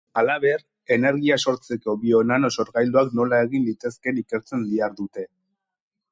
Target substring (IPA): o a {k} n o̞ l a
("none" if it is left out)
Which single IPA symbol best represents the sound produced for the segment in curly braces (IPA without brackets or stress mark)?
k